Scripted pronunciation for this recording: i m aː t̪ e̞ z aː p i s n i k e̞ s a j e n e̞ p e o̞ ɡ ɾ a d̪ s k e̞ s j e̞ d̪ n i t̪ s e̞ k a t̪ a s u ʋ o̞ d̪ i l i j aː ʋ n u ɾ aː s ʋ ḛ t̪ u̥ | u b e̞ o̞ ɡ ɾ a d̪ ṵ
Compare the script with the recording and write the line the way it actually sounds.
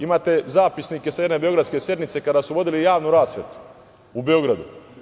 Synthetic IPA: i m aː t̪ e̞ z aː p i s n i k e̞ s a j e n e̞ b e o̞ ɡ ɾ a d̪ s k e̞ s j e̞ d̪ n i t̪ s e̞ k a d̪ a s u ʋ o̞ d̪ i l i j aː ʋ n u ɾ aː s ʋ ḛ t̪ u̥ | u b e̞ o̞ ɡ ɾ a d̪ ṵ

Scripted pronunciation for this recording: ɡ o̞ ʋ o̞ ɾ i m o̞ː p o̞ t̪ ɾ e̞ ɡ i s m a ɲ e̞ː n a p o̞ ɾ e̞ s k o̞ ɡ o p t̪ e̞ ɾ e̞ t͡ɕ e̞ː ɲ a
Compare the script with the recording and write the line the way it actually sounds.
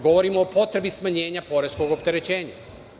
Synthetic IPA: ɡ o̞ ʋ o̞ ɾ i m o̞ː p o̞ t̪ ɾ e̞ b i s m a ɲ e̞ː ɲ a p o̞ ɾ e̞ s k o̞ ɡ o p t̪ e̞ ɾ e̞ t͡ɕ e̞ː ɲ a

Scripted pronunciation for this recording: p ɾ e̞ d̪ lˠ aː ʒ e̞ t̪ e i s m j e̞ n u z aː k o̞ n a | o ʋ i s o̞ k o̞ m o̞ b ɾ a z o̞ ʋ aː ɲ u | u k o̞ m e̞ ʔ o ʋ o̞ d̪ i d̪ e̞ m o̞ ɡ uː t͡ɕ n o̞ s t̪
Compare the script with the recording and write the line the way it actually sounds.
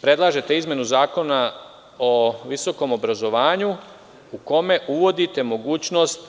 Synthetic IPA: p ɾ e̞ d̪ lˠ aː ʒ e̞ t̪ e i z m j e̞ n u z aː k o̞ n a | o ʋ i s o̞ k o̞ m o̞ b ɾ a z o̞ ʋ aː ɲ u | u k o̞ m e̞ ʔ u ʋ o̞ d̪ i t̪ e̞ m o̞ ɡ uː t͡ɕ n o̞ s t̪

